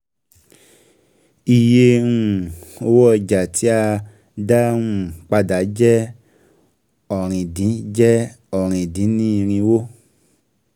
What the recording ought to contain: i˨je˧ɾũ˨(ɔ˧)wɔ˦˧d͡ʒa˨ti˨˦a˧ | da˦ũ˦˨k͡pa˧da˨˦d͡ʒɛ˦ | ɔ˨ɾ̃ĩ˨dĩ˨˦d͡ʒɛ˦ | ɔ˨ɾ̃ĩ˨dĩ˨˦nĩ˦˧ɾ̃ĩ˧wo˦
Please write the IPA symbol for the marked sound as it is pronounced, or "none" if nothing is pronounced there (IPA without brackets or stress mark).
o˧